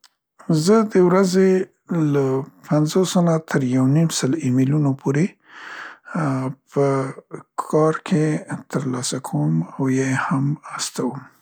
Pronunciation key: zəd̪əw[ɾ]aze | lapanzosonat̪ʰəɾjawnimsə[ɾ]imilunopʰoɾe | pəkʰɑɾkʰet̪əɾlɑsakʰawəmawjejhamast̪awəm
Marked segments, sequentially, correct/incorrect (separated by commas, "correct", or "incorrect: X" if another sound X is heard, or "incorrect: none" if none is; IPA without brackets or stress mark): correct, incorrect: l